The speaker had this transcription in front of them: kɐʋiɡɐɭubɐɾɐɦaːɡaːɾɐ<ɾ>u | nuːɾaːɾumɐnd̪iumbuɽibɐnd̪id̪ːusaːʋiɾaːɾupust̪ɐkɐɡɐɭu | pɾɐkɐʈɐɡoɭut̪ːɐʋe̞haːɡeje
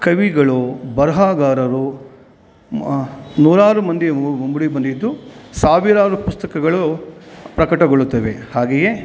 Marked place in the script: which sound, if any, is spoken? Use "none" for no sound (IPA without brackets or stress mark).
ɾ